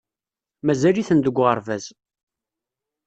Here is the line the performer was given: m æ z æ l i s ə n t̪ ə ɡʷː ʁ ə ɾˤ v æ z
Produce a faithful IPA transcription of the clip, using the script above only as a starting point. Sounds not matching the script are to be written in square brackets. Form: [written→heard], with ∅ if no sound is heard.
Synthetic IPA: m æ z æ l i [s→θ] ə n [t̪→d̪] ə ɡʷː ʁ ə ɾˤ v æ z